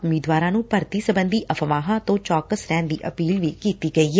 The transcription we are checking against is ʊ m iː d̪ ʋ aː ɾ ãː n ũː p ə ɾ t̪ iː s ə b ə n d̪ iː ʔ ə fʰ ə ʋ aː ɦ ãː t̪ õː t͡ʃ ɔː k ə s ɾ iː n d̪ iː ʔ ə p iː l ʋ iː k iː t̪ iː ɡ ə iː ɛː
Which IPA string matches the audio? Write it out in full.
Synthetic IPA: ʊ m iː d̪ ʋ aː ɾ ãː n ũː p ə ɾ t̪ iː s ə b ə n d̪ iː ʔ ə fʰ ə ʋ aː ɦ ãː t̪ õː t͡ʃ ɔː k ə s ɾ ɛː n d̪ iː ʔ ə p iː l ʋ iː k iː t̪ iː ɡ ə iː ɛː